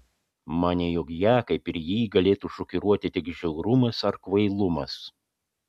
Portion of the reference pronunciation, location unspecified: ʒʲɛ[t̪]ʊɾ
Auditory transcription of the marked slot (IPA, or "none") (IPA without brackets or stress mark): none